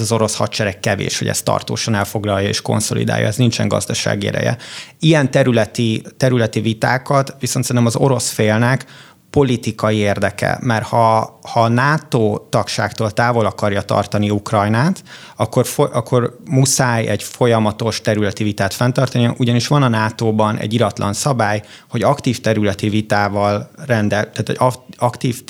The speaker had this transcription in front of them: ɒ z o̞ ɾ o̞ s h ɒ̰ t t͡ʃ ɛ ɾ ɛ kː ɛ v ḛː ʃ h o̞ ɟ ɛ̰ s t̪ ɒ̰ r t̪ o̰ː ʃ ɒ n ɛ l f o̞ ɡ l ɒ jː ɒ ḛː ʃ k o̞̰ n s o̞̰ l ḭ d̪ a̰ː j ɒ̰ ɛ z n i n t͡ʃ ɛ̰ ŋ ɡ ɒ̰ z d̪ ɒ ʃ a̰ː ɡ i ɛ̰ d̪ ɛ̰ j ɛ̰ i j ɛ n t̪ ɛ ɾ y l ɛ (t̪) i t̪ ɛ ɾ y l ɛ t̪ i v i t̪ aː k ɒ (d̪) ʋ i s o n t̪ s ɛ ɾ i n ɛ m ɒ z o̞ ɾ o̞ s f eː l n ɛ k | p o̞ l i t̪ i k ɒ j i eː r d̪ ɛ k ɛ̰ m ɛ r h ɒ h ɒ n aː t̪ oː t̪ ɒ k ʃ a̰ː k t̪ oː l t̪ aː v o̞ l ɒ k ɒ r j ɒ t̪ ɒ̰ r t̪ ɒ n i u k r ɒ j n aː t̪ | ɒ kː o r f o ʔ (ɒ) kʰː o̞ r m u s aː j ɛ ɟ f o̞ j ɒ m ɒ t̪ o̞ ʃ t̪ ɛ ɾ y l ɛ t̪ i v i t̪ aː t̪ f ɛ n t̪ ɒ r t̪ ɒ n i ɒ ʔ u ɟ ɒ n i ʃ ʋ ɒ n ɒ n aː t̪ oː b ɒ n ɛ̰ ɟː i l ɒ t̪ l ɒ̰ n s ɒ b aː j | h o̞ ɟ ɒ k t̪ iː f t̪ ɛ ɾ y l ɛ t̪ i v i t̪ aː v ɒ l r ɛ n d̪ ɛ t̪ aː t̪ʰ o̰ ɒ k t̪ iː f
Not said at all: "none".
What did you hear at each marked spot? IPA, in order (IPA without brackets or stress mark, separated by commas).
t̪, t̪, ɒ